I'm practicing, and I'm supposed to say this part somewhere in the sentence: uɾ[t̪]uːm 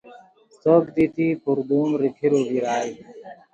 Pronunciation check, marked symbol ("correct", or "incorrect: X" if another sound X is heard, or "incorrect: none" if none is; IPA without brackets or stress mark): incorrect: d̪